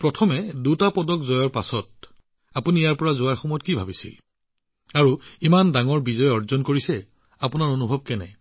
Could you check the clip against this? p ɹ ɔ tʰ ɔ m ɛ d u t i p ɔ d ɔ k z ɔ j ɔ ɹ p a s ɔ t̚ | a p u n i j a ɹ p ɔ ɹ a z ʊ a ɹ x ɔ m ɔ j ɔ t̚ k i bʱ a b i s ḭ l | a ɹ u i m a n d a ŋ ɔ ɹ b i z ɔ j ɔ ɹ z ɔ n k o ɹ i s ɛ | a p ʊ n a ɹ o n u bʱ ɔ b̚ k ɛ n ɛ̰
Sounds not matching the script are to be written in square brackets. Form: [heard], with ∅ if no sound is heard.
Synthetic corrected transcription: p ɹ ɔ tʰ ɔ m ɛ d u t [a] p ɔ d ɔ k z ɔ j ɔ ɹ p a s ɔ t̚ | a p u n i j a ɹ p ɔ ɹ a z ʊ a ɹ x ɔ m ɔ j ɔ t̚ k i bʱ a b i s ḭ l | a ɹ u i m a n d a ŋ ɔ ɹ b i z ɔ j ɔ ɹ z ɔ n k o ɹ i s ɛ | a p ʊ n a ɹ o n u bʱ ɔ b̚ k ɛ n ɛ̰